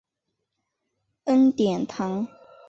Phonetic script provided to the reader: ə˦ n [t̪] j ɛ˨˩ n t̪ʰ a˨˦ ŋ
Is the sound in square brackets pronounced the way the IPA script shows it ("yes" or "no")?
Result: yes